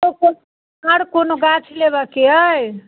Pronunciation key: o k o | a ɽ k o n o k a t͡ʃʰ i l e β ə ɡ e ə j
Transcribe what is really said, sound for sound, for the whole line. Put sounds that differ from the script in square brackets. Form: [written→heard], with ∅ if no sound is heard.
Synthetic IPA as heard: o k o | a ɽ k o n o [k→ɡ] a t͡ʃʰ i l e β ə [ɡ→k] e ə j